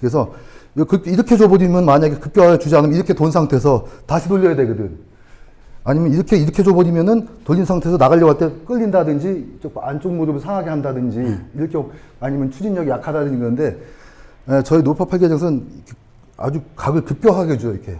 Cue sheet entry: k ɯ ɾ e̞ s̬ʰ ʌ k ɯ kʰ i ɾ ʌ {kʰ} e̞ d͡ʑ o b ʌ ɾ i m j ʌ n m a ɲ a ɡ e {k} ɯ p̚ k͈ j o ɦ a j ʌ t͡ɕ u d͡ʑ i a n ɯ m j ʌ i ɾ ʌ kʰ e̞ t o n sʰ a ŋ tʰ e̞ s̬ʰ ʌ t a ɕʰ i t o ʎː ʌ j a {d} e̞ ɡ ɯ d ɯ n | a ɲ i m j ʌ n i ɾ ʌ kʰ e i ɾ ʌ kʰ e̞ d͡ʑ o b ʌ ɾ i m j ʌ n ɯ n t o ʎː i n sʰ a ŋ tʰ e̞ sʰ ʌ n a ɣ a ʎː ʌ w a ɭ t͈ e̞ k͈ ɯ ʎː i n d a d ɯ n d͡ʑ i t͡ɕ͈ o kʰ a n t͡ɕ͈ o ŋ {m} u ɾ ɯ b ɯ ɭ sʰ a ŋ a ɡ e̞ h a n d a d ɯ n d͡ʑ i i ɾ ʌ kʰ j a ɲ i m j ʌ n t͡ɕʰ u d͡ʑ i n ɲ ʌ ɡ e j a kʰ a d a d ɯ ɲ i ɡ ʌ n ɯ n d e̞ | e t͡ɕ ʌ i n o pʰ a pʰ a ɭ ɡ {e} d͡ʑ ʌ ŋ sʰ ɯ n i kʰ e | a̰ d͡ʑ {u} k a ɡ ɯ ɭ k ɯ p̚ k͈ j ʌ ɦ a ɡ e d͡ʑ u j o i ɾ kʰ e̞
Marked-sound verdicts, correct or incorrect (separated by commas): correct, correct, correct, correct, correct, correct